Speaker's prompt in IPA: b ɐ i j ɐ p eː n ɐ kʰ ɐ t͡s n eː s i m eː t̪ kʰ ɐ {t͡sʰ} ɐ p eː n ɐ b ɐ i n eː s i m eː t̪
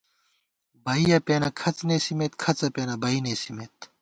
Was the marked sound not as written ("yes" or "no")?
yes